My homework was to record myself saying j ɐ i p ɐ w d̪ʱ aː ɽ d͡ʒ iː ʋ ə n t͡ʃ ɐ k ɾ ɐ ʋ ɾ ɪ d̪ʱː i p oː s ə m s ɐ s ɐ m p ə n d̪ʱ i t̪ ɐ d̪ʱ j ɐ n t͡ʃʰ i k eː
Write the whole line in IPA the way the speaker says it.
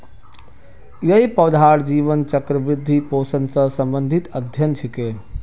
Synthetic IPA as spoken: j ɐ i p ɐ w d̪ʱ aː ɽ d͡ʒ iː ʋ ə n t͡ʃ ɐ k ɾ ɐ ʋ ɾ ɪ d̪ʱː i p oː s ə n s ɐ s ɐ m b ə n d̪ʱ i t̪ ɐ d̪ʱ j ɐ n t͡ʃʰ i k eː